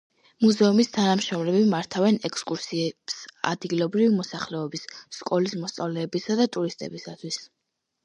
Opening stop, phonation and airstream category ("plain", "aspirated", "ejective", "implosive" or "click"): aspirated